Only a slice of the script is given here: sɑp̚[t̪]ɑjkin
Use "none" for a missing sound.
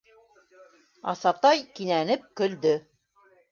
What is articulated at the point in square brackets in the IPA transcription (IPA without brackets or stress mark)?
t̪